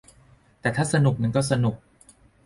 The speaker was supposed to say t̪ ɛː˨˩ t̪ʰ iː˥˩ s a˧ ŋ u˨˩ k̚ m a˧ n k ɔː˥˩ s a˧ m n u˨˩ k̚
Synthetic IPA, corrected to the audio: t̪ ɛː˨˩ t̪ʰ aː˥˩ s a˧ n u˨˩ k̚ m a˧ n k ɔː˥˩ s a˧ n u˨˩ k̚